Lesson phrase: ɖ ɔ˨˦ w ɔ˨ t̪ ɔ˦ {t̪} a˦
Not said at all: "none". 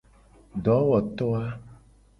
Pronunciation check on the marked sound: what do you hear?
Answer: none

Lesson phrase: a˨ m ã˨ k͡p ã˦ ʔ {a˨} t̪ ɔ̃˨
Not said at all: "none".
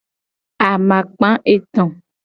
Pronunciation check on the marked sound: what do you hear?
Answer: e˨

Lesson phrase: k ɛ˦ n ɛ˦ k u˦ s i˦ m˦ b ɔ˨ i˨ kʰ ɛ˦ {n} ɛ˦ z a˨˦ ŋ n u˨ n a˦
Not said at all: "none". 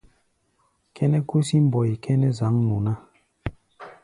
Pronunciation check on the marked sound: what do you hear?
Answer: n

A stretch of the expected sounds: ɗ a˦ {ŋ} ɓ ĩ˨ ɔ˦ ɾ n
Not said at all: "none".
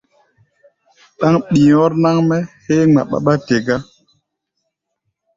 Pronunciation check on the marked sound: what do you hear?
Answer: ŋ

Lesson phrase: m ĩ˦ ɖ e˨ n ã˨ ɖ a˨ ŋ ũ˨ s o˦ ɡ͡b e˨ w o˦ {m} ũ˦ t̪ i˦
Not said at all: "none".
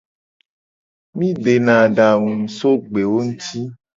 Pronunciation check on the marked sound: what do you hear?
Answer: ŋ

